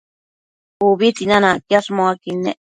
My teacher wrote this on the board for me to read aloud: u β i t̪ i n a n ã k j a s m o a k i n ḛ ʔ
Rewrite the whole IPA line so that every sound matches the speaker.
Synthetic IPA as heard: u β i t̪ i n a n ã k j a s m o a k i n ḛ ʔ

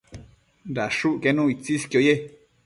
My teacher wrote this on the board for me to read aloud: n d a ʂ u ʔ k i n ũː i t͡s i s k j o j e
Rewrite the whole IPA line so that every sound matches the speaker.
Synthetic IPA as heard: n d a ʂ u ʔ k e n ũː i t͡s i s k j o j e

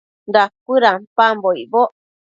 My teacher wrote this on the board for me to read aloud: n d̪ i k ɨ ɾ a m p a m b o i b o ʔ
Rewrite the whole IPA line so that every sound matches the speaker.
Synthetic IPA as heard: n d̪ a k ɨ ɾ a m p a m b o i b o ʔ

